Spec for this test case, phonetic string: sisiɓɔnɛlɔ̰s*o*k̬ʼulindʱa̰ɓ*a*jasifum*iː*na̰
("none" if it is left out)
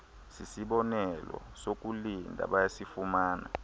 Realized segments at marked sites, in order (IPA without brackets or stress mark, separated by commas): o, a, aː